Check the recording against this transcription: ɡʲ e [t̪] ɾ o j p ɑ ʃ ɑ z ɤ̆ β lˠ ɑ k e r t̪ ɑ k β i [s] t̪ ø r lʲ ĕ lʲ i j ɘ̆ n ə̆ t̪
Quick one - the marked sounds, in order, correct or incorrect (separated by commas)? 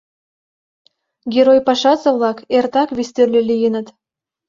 incorrect, correct